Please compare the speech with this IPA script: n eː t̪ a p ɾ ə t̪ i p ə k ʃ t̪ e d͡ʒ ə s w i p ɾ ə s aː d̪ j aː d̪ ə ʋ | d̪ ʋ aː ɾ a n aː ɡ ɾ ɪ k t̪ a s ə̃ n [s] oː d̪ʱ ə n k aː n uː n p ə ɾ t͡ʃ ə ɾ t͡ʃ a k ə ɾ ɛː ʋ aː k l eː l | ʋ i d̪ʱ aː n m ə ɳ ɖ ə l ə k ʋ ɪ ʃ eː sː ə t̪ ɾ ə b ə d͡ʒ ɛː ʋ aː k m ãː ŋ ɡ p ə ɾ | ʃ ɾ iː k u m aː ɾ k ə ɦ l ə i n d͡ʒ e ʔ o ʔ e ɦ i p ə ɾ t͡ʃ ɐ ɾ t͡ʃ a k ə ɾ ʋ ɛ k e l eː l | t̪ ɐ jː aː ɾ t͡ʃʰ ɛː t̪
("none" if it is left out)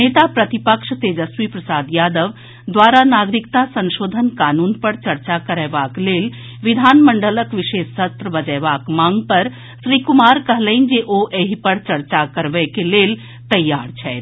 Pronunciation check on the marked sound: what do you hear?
ʃ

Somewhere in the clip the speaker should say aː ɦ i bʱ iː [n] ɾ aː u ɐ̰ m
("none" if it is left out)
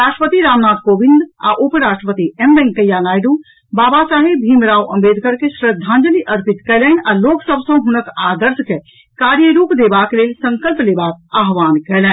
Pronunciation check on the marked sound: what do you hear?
m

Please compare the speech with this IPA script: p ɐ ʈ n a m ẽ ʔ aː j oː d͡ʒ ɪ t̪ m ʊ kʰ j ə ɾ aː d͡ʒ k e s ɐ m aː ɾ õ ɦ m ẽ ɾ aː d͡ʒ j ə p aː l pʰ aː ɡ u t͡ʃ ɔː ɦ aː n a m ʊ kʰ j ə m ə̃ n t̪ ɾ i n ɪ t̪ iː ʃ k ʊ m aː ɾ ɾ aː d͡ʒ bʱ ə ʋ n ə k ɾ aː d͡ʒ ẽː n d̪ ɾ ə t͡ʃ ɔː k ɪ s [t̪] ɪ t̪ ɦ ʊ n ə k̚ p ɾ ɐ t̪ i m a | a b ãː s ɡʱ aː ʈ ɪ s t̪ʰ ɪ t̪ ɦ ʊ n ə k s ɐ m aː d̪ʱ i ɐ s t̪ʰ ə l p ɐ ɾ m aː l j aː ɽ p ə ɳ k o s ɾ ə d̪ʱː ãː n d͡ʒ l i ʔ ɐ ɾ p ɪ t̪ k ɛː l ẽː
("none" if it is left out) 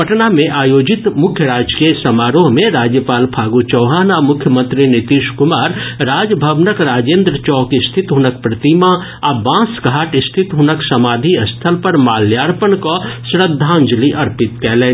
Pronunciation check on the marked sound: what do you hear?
t̪ʰ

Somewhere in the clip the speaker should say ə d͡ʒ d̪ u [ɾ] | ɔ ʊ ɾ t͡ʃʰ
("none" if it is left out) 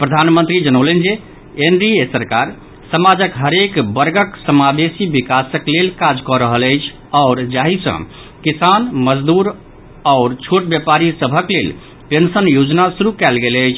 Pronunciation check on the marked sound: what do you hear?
ɾ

